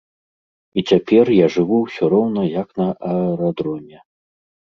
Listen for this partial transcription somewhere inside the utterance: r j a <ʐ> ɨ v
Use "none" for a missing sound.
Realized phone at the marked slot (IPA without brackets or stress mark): ʐ